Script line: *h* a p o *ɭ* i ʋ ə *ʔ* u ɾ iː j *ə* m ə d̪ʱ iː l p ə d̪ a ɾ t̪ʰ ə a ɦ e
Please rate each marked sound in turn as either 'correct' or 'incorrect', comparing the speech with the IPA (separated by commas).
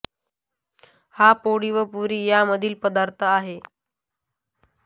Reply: correct, incorrect, incorrect, incorrect